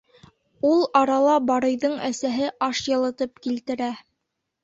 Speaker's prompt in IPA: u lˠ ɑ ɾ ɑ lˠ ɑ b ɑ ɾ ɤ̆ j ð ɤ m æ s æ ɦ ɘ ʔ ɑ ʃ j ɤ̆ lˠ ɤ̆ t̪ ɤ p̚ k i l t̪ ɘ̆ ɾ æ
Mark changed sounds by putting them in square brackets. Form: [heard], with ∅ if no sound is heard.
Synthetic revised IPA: u lˠ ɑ ɾ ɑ lˠ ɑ b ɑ ɾ ɤ̆ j ð ɤ [ɴ] æ s æ ɦ ɘ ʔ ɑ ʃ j ɤ̆ lˠ ɤ̆ t̪ ɤ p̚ k i l t̪ ɘ̆ ɾ æ